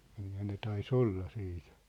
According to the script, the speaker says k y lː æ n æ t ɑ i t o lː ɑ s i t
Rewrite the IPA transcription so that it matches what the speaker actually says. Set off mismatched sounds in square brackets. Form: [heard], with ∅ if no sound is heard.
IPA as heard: k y lː æ n [e] t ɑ i [s] o lː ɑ s [iː] t

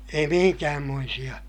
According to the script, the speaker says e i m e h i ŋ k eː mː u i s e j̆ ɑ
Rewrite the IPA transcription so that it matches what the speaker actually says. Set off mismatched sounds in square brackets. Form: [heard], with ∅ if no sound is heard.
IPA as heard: e i m [i] h i ŋ k [æː] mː [o] i s [i] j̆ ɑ

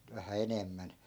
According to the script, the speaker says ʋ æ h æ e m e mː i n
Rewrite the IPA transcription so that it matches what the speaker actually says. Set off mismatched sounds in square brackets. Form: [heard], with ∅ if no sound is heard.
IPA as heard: ʋ æ h æ e [n] e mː [æ] n

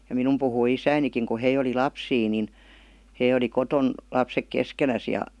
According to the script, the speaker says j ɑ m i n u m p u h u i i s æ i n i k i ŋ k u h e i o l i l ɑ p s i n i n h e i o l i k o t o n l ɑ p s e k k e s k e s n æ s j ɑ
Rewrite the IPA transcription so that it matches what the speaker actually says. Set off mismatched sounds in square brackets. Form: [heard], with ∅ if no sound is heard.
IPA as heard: j ɑ m i n u m p u h u i i s æ i n i k i ŋ k u h e i o l i l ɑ p s [iː] n i n h e i o l i k o t o n l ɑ p s e k k e s k e [∅] n æ s j ɑ

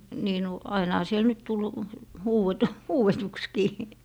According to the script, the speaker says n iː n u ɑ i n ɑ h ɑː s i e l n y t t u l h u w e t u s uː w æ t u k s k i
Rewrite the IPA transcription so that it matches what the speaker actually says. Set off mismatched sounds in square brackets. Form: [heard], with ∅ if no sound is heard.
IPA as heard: n iː n u ɑ i n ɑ h [ɑ] s i e l n y t t u l h [uː] w e t u [h] uː w [e] t u k s k [iː]

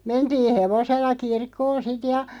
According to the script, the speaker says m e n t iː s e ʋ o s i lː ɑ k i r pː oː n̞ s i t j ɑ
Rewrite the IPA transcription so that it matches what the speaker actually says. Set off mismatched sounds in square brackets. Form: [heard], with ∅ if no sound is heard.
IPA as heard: m e n t iː [h] e ʋ o s [e] lː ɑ k i r [kː] oː n̞ s i t j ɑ

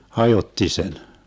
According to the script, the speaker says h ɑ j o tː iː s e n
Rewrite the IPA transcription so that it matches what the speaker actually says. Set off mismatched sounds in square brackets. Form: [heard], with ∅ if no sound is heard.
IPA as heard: h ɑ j o tː [i] s e n

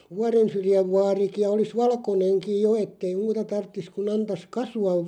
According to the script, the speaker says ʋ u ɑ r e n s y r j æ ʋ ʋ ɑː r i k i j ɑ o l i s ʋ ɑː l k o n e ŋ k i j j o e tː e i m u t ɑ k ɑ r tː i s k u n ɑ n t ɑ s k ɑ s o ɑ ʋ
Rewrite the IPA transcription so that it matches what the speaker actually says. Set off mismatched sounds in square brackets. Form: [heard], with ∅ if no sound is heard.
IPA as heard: ʋ u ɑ r e n s y r j æ ʋ ʋ ɑː r i k i j ɑ o l i s ʋ [ɑ] l k o n e ŋ k i j j o e tː e i m [uː] t ɑ [t] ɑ r tː i s k u n ɑ n t ɑ s k ɑ s [u] ɑ ʋ

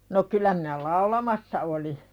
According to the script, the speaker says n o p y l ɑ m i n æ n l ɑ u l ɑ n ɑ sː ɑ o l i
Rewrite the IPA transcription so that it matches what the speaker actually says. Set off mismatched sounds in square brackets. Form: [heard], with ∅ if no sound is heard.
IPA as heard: n o [k] y l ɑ m i n æ [∅] l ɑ u l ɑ [m] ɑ sː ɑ o l i

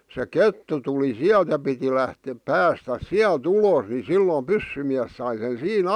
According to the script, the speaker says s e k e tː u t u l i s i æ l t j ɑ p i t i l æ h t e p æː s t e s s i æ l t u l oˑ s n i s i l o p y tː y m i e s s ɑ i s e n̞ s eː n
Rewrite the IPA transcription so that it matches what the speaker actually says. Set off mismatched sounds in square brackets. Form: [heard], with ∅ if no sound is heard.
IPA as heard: s e k e tː u t u l i s i æ l t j ɑ p i t i l æ h t e p æː s t [æ] s s i æ l t u l oˑ s n i s i [lː] o p y [sː] y m i [æ] s s ɑ i s e n̞ s [iː] n

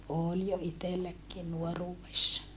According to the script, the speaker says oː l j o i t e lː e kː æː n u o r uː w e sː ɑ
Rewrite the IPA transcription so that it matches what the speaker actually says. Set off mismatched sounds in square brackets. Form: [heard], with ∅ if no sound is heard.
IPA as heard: oː l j o i t e lː [æ] kː [iː] n u o r uː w e sː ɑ

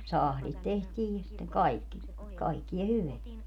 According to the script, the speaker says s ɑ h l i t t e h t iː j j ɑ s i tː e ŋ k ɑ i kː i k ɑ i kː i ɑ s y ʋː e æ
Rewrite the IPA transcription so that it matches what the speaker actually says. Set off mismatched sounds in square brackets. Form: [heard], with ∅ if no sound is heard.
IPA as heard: s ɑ h l i t t e h t iː j j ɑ s i tː e ŋ k ɑ i kː i k ɑ i kː i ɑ [h] y [ʋ] e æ

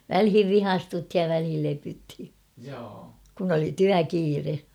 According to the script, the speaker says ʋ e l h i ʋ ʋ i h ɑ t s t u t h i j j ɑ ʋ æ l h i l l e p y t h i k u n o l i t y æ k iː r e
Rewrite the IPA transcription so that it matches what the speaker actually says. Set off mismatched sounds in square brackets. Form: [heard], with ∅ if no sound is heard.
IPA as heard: ʋ [æ] l h i ʋ ʋ i h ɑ [∅] s t u t h i j j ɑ ʋ æ l h i l l e p y t h i k u n o l i t y æ k iː r e

